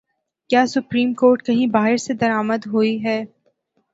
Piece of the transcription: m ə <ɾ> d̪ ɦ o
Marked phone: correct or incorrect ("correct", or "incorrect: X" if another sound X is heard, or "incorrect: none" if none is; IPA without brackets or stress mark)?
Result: incorrect: none